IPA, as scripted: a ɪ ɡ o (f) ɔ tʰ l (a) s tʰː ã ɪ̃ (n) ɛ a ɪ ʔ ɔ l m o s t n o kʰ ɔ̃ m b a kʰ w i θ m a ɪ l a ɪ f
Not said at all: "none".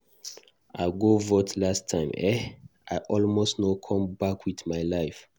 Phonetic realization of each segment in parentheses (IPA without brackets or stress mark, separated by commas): v, a, m